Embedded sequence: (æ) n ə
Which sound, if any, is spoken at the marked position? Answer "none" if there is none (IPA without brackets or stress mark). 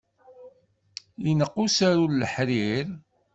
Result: i